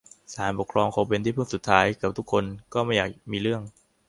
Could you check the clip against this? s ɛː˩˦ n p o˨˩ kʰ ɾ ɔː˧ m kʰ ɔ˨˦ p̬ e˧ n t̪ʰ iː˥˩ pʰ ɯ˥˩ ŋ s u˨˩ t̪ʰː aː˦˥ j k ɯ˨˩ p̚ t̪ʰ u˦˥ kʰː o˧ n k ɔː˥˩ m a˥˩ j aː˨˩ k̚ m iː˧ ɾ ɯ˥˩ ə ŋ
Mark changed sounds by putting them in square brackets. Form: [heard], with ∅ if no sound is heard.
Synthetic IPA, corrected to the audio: s [aː˩˦] n p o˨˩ kʰ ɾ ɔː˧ [ŋ] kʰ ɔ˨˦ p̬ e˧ n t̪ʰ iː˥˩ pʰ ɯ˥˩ ŋ s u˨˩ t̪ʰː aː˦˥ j k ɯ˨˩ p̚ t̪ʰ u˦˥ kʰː o˧ n k ɔː˥˩ m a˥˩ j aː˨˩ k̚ m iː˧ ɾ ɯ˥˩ ə ŋ